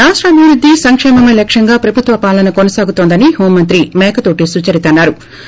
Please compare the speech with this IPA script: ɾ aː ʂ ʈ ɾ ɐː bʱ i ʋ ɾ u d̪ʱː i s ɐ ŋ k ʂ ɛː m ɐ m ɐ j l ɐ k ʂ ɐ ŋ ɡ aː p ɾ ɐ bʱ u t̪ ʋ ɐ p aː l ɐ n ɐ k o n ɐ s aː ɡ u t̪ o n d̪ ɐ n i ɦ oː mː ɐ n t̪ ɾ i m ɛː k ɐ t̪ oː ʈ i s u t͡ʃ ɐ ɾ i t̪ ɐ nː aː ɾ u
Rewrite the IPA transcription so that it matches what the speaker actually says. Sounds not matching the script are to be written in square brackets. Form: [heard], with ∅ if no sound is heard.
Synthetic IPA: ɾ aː ʂ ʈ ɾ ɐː bʱ i ʋ ɾ u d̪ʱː i s ɐ ŋ k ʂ ɛː m ɐ m ɐ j l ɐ k ʂ ɐ ŋ ɡ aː p ɾ ɐ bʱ u t̪ ʋ ɐ p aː l ɐ n ɐ k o n ɐ s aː ɡ u t̪ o n d̪ ɐ n i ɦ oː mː ɐ n t̪ ɾ i m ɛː k ɐ t̪ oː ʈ i s u t͡ʃ ɐ ɾ i t̪ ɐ nː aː ɾ u

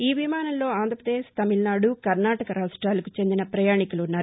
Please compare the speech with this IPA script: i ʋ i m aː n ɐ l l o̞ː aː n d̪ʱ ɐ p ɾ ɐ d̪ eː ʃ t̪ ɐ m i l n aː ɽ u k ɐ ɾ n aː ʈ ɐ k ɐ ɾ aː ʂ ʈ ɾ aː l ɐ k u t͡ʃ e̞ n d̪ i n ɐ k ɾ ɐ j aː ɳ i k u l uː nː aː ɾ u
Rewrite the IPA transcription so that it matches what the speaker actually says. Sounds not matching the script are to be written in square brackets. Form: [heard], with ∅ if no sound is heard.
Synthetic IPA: [iː] ʋ i m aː n ɐ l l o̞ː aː n d̪ʱ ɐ p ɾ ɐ d̪ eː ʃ t̪ ɐ m i l n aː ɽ u k ɐ ɾ n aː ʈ ɐ k ɐ ɾ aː ʂ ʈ ɾ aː l ɐ k u t͡ʃ e̞ n d̪ i n ɐ [p] ɾ ɐ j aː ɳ i k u l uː nː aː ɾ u

